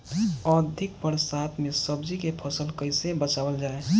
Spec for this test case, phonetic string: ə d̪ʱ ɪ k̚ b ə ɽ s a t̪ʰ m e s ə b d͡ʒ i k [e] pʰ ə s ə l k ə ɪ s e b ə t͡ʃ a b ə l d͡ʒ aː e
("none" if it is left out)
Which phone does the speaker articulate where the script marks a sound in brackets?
e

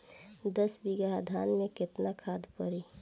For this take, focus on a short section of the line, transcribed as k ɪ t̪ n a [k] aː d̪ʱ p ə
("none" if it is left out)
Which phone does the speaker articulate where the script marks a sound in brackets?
kʰ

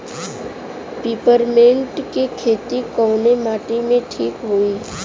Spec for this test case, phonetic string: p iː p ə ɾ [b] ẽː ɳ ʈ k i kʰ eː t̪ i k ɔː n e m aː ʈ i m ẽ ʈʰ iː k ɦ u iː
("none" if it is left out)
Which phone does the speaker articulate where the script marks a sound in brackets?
m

